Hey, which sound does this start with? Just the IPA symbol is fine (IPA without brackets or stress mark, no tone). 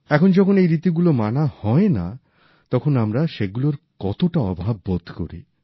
ɛ